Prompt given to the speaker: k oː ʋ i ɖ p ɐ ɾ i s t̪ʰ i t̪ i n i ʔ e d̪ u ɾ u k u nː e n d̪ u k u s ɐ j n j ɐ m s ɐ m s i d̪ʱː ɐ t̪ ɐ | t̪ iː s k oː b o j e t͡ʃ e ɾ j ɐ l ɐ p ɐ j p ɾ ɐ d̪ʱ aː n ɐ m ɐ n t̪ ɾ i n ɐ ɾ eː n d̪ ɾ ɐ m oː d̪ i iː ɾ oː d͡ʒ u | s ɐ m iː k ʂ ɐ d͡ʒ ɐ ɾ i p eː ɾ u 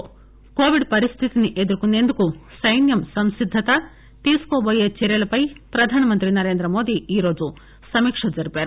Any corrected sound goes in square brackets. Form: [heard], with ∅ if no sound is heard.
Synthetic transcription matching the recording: k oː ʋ i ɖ p ɐ ɾ i s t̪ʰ i t̪ i n i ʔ e d̪ u ɾ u k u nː e n d̪ u k u s ɐ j n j ɐ m s ɐ m s i d̪ʱː ɐ t̪ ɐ | t̪ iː s k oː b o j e t͡ʃ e ɾ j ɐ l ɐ p ɐ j p ɾ ɐ d̪ʱ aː n ɐ m ɐ n t̪ ɾ i n ɐ ɾ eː n d̪ ɾ ɐ m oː d̪ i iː ɾ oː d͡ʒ u | s ɐ m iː k ʂ ɐ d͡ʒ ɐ ɾ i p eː ɾ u